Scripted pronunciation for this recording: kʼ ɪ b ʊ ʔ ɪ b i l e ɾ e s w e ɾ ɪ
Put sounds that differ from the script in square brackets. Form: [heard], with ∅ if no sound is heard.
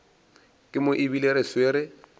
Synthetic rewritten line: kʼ ɪ [m] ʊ ʔ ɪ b i l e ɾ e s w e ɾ ɪ